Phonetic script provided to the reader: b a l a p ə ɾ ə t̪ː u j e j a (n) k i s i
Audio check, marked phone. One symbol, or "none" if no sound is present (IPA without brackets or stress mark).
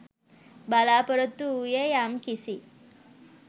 m